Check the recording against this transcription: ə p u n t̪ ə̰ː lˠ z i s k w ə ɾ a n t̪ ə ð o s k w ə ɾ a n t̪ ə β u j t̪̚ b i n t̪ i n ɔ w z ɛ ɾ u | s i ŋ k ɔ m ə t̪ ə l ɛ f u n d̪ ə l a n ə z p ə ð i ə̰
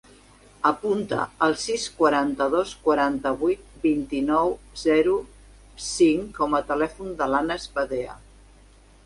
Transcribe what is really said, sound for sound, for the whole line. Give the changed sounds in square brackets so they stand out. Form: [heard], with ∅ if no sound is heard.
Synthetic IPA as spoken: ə p u n t̪ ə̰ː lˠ [s] i s k w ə ɾ a n t̪ ə ð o s k w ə ɾ a n t̪ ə β u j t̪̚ b i n t̪ i n ɔ w z ɛ ɾ u | s i ŋ k ɔ m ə t̪ ə l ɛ f u n d̪ ə l a n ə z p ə ð [e] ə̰